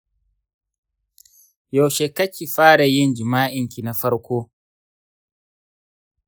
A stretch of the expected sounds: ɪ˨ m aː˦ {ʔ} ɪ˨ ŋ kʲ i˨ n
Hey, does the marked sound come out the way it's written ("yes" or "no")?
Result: yes